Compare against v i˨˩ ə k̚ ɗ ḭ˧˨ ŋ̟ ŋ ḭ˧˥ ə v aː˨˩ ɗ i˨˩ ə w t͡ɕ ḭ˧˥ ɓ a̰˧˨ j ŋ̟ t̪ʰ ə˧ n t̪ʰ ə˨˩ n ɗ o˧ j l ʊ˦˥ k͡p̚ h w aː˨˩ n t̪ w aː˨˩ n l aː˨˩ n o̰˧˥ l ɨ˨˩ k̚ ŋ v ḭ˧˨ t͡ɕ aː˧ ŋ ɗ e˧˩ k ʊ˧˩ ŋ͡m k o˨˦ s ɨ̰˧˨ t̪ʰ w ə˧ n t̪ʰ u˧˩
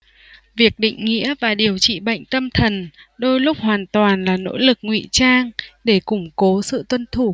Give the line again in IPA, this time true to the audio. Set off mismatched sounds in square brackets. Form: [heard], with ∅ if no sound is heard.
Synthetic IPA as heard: v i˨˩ ə k̚ ɗ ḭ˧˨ ŋ̟ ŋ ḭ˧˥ ə v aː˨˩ ɗ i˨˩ ə w t͡ɕ [ḭ˧˨] ɓ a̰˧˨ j ŋ̟ [t̪] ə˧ [m] t̪ʰ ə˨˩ n ɗ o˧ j l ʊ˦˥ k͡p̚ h w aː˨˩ n t̪ w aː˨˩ n l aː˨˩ n o̰˧˥ l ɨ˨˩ k̚ ŋ [w] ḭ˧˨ t͡ɕ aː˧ ŋ ɗ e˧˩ k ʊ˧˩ ŋ͡m k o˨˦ s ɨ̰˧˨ [t̪] w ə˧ n t̪ʰ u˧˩

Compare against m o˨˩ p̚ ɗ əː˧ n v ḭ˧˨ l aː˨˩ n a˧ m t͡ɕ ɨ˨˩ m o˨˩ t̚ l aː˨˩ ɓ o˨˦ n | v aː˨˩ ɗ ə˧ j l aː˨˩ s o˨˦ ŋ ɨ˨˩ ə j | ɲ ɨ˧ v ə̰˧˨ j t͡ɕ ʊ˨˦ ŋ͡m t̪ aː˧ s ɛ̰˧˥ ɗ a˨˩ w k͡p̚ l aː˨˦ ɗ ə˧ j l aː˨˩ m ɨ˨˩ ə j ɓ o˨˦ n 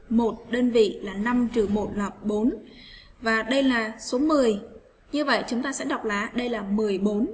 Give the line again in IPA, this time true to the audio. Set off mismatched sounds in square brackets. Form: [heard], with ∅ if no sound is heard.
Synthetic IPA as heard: m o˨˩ [t̚] ɗ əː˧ n v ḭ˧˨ l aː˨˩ n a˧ m t͡ɕ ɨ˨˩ m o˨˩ t̚ l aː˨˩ ɓ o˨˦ n | v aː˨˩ ɗ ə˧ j l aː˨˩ s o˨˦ [m] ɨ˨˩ ə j | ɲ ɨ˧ v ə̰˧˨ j t͡ɕ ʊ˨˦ ŋ͡m t̪ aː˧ s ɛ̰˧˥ ɗ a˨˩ w k͡p̚ l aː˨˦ ɗ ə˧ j l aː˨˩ m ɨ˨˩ ə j ɓ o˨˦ n

